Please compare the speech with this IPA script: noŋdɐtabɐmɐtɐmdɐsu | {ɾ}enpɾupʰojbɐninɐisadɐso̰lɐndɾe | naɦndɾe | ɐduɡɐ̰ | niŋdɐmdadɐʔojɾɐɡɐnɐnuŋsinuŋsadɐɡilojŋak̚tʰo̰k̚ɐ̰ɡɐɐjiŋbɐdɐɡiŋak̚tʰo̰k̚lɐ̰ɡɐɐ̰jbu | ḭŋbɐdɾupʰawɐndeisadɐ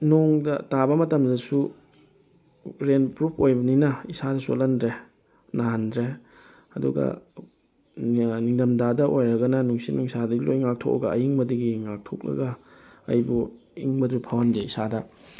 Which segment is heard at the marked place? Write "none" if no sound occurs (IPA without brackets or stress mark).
ɾ